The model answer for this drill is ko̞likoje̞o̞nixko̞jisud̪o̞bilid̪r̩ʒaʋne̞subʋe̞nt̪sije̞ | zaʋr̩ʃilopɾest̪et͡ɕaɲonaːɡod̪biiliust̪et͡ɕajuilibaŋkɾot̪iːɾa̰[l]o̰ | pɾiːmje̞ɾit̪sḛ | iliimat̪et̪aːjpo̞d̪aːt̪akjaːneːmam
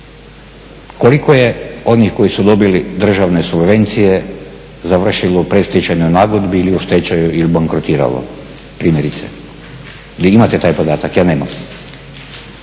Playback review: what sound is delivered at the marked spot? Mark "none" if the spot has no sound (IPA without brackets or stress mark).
l